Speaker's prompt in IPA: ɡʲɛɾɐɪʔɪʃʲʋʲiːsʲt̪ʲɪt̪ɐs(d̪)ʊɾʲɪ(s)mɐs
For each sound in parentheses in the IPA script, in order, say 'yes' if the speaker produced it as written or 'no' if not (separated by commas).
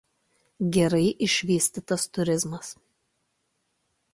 no, no